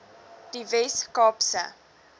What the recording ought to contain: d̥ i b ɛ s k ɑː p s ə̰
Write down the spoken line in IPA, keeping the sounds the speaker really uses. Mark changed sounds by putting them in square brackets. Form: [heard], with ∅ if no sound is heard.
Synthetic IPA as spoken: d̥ i [v] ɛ s k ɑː p s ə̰